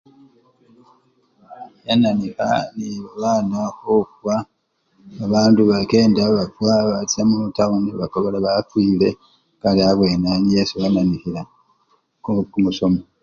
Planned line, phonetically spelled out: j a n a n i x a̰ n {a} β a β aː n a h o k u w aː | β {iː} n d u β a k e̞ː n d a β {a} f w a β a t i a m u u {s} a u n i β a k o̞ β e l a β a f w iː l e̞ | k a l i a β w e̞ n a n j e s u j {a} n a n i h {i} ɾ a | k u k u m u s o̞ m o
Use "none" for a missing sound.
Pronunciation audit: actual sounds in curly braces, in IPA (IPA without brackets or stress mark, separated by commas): i, aː, a, t, a, i